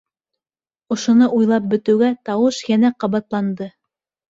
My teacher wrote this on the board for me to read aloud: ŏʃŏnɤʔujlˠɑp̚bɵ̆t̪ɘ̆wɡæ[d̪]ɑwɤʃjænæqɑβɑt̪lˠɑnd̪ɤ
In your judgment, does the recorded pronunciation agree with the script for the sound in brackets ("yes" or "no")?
no